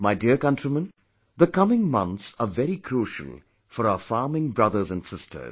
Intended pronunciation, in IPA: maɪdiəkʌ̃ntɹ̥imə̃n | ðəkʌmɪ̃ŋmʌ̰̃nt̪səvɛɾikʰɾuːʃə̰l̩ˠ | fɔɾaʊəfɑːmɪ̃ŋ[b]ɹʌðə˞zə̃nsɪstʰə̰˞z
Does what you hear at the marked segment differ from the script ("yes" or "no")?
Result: no